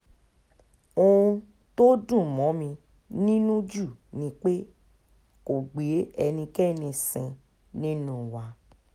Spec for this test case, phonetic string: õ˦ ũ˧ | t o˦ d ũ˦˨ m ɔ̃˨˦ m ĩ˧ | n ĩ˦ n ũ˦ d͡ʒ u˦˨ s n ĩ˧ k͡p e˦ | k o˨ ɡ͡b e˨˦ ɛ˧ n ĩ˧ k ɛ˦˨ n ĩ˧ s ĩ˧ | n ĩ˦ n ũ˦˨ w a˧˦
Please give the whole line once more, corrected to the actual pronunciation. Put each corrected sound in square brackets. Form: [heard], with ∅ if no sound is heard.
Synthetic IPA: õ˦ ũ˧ | t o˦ d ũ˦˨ m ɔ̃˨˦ m ĩ˧ | n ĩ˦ n ũ˦ d͡ʒ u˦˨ [∅] n ĩ˧ k͡p e˦ | k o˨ ɡ͡b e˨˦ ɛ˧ n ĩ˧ k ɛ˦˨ n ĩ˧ s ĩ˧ | n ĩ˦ n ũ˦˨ w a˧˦